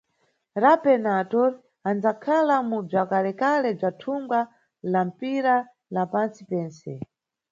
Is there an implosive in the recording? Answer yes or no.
no